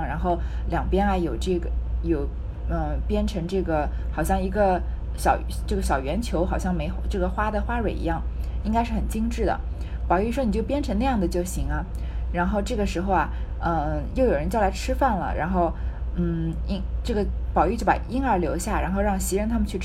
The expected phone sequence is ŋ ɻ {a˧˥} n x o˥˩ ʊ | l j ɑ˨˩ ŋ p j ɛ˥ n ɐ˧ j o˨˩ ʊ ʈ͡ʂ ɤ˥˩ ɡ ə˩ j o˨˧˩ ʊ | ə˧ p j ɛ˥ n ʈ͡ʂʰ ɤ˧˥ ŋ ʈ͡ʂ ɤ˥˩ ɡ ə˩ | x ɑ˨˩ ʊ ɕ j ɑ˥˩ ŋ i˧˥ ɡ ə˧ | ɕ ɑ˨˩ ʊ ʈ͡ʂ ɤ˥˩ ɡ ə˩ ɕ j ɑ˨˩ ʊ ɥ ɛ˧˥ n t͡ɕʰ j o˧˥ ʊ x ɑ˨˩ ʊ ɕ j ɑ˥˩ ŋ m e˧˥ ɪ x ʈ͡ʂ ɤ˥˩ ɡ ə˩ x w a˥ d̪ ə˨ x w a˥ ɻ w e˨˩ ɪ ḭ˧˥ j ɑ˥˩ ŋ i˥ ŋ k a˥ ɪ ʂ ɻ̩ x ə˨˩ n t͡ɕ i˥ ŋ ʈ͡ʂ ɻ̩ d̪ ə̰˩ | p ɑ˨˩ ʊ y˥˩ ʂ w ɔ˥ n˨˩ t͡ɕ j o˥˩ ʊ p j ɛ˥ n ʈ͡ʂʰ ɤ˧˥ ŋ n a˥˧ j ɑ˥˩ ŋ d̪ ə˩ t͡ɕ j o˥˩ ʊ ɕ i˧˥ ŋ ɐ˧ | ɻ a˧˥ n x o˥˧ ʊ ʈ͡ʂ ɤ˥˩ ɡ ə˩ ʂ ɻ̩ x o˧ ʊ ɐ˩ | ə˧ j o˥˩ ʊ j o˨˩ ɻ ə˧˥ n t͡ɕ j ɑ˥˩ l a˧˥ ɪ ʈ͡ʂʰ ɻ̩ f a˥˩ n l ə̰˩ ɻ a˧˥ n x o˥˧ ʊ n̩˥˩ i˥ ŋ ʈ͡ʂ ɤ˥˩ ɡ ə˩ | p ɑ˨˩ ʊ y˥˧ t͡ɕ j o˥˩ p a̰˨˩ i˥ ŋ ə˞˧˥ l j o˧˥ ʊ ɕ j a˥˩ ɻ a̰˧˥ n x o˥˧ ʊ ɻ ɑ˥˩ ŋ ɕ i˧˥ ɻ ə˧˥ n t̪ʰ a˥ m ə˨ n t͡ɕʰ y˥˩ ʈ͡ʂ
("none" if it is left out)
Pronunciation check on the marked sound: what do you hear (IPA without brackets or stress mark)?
a˧˥